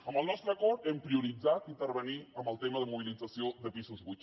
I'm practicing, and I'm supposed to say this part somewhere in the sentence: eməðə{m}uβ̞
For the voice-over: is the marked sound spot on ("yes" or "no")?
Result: yes